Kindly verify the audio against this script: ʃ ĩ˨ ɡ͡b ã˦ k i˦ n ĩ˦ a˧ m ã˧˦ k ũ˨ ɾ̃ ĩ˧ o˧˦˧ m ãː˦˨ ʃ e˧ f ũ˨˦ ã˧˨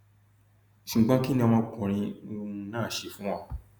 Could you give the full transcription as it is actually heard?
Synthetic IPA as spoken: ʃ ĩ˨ ɡ͡b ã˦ k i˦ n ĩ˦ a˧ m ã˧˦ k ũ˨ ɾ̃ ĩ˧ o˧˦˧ n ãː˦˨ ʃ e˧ f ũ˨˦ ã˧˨